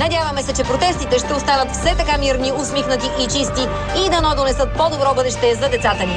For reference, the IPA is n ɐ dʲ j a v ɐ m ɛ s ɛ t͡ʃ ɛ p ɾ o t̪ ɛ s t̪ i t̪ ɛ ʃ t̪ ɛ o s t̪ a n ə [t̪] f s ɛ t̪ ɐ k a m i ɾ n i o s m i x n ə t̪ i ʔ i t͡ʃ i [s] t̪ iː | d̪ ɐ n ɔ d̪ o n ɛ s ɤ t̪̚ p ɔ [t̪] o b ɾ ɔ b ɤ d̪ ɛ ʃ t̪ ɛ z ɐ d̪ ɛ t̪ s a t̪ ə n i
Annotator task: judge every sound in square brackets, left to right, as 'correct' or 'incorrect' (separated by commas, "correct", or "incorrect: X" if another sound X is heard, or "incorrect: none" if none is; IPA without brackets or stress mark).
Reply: correct, correct, incorrect: d̪